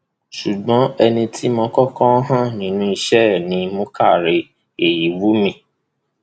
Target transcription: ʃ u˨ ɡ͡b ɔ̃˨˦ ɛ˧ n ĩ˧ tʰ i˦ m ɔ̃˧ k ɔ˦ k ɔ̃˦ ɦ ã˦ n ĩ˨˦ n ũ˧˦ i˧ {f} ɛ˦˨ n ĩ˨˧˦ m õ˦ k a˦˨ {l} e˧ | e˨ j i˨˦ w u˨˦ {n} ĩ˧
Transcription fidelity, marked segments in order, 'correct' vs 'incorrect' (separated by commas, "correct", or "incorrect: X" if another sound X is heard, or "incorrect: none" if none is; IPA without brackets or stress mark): incorrect: ʃ, incorrect: ɾ, incorrect: m